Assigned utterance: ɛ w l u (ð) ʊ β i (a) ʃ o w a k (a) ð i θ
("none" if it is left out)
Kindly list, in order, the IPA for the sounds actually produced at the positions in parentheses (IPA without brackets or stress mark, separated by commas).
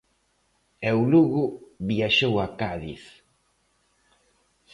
ɣ, a, a